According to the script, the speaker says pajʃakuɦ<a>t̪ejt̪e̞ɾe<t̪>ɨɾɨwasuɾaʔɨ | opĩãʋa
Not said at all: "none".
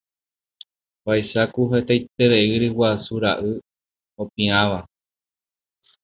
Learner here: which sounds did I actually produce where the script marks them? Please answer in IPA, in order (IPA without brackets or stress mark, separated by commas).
e, none